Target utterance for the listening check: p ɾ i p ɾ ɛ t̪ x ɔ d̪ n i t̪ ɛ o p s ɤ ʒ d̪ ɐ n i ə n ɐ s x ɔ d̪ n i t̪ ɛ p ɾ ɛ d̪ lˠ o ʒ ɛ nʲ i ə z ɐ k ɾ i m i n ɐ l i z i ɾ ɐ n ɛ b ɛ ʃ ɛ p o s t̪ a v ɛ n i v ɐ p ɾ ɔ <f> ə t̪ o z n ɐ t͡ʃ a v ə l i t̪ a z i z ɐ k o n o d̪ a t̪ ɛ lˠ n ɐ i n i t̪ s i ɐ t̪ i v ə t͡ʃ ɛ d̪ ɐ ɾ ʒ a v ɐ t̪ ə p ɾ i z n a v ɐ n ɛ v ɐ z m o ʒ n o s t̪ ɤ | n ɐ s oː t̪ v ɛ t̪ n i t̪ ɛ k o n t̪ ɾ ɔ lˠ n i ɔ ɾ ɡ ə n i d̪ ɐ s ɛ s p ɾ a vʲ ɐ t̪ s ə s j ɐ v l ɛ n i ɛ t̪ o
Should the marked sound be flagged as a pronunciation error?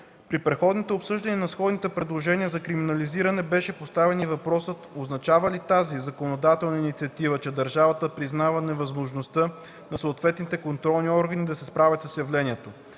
yes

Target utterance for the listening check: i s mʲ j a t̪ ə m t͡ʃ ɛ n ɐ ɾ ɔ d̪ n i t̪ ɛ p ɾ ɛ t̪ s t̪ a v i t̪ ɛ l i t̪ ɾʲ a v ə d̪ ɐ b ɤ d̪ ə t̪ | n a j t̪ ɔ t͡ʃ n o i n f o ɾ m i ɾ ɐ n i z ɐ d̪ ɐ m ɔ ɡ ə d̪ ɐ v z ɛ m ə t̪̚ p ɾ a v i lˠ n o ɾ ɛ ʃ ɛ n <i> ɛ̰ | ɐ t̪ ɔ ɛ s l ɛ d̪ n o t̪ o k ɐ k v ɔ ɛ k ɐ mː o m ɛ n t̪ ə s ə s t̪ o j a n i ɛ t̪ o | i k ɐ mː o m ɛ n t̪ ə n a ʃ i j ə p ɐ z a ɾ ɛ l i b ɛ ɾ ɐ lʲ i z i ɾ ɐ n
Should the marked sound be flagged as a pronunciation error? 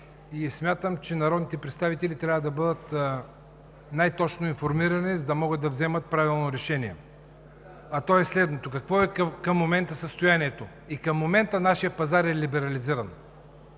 no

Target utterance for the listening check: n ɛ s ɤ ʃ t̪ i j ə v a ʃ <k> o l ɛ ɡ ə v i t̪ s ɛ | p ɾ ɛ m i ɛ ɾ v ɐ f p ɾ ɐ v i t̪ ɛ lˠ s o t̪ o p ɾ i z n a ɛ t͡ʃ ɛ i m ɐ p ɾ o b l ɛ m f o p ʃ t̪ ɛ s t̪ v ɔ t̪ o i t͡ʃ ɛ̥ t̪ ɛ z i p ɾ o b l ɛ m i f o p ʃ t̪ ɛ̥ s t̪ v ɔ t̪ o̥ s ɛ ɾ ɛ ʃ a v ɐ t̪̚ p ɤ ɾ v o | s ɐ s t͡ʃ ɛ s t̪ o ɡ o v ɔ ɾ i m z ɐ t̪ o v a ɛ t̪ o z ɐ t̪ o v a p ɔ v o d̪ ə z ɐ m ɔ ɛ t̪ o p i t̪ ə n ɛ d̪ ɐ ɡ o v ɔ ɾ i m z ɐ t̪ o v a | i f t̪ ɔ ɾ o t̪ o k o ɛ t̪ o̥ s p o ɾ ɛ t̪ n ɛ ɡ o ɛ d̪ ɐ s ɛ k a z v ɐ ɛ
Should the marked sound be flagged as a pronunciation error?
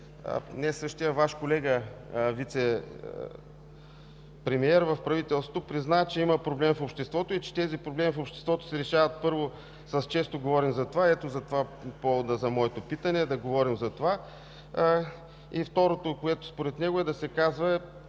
no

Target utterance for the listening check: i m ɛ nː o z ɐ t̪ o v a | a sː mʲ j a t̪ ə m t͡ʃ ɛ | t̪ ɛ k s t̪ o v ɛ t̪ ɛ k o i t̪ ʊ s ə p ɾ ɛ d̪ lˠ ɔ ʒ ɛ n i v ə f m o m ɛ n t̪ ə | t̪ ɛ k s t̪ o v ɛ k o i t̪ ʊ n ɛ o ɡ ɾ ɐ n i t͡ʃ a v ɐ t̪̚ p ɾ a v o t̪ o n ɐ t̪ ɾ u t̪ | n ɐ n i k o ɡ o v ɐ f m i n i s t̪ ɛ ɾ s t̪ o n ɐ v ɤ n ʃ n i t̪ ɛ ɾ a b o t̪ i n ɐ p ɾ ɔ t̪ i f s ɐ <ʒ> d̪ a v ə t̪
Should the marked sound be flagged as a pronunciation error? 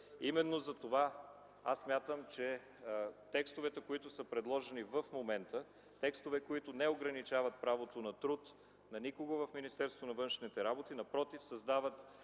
yes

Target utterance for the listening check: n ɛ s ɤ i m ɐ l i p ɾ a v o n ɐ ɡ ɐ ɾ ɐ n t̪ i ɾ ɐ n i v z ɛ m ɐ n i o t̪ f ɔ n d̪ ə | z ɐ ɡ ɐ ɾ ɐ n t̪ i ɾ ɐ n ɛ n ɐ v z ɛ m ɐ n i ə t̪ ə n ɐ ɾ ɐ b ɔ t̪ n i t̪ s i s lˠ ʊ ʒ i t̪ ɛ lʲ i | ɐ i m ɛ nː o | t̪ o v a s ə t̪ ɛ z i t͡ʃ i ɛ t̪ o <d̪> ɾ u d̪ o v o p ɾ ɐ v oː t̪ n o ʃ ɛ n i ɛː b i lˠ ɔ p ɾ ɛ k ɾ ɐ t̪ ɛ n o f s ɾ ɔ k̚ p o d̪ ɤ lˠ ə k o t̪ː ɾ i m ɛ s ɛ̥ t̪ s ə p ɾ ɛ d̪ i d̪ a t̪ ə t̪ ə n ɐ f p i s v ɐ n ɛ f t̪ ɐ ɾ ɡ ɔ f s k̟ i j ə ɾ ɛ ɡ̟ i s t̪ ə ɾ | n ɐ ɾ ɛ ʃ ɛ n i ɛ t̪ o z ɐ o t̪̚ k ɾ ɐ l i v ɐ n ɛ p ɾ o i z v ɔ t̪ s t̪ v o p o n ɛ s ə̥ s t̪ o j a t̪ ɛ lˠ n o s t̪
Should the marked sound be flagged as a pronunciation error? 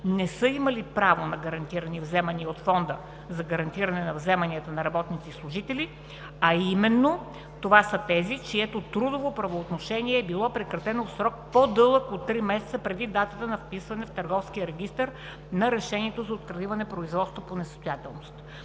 yes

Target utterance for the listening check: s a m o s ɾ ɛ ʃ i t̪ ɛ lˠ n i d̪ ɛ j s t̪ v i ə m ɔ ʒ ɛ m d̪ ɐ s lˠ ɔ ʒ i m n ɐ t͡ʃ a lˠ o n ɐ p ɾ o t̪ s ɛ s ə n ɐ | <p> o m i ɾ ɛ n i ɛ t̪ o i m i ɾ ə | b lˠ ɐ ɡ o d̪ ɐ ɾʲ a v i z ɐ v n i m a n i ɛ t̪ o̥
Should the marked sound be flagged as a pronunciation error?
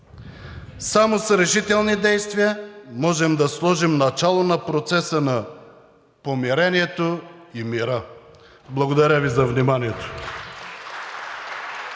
no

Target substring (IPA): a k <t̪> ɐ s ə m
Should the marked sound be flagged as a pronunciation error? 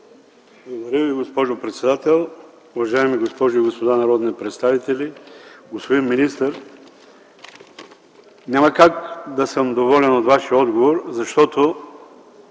yes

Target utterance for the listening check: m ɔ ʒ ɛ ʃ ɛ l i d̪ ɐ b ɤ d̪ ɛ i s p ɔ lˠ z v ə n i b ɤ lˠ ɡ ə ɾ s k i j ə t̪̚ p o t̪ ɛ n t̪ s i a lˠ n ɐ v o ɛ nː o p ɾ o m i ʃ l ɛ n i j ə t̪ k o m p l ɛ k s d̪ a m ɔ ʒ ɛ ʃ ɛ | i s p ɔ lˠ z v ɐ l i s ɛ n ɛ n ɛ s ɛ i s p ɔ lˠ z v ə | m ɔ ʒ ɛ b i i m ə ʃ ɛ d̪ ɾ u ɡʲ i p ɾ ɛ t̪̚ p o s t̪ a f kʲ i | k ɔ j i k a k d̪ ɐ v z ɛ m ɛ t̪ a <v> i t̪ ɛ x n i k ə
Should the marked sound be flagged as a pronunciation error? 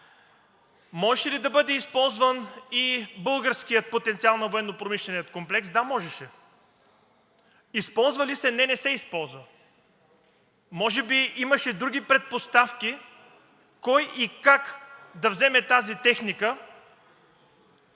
yes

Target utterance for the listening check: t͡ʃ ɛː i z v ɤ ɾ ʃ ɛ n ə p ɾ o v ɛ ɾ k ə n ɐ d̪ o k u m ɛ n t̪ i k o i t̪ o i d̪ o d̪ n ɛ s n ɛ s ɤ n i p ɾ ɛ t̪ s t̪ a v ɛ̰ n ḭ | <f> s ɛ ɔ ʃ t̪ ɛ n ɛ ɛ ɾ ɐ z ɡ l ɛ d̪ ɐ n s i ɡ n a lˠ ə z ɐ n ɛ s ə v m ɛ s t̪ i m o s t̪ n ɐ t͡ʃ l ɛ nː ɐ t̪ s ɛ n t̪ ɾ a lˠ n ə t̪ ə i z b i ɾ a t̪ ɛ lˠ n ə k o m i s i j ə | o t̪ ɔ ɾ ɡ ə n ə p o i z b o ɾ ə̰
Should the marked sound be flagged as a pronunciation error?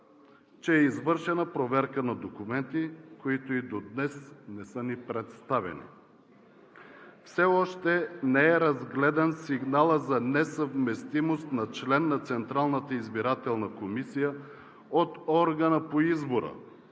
no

